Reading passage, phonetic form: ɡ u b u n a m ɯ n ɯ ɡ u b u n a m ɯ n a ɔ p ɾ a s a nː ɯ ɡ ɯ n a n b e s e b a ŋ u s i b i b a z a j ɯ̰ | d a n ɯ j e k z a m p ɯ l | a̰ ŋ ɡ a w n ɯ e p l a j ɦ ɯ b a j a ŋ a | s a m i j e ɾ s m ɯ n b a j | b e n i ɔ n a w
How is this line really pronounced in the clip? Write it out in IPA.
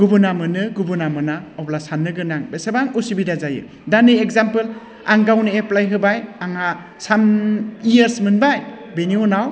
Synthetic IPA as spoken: ɡ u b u n a m ɯ n ɯ ɡ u b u n a m ɯ n a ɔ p l a s a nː ɯ ɡ ɯ n a ŋ b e s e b a ŋ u s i b i d a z a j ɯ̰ | d a n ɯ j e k z a m p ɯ l | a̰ ŋ ɡ a w n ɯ e p l a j ɦ ɯ b a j a ŋ a | s a m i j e ɾ s m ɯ n b a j | b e n i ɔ n a w